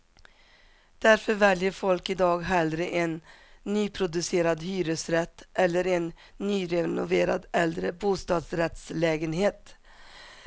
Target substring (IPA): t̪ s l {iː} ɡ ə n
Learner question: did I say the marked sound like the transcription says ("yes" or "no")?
no